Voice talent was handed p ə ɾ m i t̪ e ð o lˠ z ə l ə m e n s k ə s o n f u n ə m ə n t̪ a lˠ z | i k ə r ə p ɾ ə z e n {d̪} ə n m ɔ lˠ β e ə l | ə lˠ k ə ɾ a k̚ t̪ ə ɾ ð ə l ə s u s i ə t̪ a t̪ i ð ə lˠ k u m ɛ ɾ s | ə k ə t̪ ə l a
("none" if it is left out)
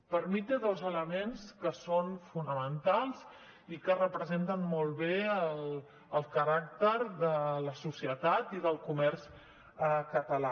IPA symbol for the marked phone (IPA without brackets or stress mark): t̪